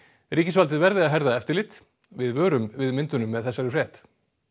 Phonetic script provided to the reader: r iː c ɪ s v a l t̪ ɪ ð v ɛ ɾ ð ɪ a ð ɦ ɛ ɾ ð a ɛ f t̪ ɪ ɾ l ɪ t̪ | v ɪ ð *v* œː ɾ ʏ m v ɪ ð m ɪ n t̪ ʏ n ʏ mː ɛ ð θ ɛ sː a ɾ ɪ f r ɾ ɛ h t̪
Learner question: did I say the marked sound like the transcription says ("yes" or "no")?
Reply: yes